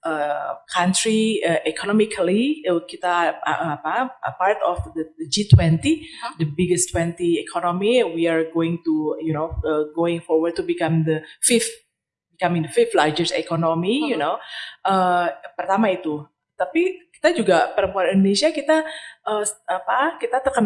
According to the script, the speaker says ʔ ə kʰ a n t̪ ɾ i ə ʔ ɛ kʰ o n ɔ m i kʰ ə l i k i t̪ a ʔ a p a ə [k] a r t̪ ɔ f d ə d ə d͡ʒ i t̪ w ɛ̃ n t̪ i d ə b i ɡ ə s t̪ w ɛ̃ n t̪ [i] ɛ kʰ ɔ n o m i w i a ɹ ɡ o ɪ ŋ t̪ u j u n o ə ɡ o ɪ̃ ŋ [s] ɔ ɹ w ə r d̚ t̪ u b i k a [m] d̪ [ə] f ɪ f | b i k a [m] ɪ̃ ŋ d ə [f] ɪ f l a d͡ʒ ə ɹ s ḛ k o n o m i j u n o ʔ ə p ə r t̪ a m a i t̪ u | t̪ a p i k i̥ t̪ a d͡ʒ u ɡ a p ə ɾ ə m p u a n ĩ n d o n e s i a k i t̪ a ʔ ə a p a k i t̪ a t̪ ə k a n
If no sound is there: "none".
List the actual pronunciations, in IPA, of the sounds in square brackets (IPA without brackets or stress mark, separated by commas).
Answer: p, i, f, m, ə, m, f